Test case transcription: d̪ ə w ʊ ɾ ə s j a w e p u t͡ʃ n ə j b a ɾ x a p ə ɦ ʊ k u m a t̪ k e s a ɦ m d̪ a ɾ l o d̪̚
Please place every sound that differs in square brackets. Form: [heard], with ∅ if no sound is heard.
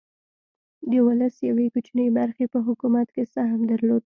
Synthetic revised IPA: d̪ ə w ʊ [l] ə s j a w e [k] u t͡ʃ n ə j b a ɾ x [e] p ə ɦ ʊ k u m a t̪ k e s a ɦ m d̪ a ɾ l o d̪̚